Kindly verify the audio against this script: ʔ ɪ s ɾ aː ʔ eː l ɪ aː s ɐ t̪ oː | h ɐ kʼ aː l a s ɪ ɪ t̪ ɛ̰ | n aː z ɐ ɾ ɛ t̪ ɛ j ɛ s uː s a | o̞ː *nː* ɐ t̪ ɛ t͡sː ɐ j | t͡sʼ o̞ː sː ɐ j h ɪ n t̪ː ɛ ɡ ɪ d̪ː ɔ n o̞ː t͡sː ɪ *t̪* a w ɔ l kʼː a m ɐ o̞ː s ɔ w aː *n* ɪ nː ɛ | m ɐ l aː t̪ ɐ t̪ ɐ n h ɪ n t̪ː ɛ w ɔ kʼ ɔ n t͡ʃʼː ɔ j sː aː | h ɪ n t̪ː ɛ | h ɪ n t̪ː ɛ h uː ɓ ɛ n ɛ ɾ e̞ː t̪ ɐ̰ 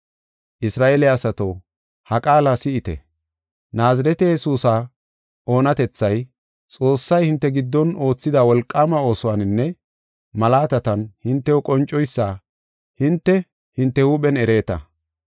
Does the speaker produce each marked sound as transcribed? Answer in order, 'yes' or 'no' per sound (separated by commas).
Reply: no, no, yes